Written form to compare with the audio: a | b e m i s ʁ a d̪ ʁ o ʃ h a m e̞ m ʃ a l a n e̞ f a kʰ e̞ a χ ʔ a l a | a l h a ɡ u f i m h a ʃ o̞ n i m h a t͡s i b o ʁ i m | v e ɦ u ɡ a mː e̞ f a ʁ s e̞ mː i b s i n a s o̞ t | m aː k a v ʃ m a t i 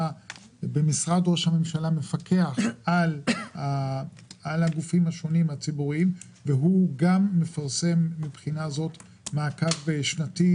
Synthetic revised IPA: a | b e m i s ʁ a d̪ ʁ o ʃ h a m e̞ m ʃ a l a m e̞ f a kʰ e̞ a χ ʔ a l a | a l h a ɡ u f i m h a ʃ o̞ n i m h a t͡s i b u ʁ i m | v e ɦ u ɡ a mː e̞ f a ʁ s e̞ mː i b χ i n a z o̞ t | m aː k a v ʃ n a t i